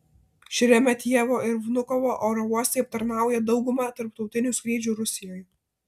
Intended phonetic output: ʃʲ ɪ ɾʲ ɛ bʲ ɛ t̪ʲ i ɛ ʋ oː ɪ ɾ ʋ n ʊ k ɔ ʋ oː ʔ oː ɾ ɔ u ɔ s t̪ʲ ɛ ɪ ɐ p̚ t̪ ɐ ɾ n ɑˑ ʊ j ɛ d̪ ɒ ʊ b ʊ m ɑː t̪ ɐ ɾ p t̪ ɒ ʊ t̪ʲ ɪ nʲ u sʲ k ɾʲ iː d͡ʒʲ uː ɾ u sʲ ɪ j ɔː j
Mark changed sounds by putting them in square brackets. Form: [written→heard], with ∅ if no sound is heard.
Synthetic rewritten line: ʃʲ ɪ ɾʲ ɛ [bʲ→mʲ] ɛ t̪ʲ i ɛ ʋ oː ɪ ɾ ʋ n ʊ k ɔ ʋ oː ʔ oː ɾ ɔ u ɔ s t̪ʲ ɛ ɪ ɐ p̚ t̪ ɐ ɾ n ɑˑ ʊ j ɛ d̪ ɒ ʊ [b→ɡ] ʊ m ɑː t̪ ɐ ɾ p t̪ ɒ ʊ t̪ʲ ɪ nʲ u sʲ k ɾʲ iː d͡ʒʲ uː ɾ [u→ʊ] sʲ ɪ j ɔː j